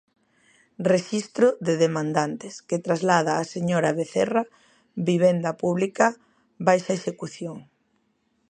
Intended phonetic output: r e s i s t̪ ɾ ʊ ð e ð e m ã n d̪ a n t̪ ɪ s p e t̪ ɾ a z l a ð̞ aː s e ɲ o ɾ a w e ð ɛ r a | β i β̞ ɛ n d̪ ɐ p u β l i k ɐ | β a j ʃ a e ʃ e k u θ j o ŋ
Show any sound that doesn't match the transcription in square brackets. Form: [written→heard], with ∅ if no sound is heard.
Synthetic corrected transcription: r e [s→ʃ] i s t̪ ɾ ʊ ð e ð e m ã n d̪ a n t̪ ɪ s [p→k] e t̪ ɾ a z l a ð̞ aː s e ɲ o ɾ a [w→β] e [ð→θ] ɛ r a | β i β̞ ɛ n d̪ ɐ p u β l i k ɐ | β a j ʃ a e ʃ e k u θ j o ŋ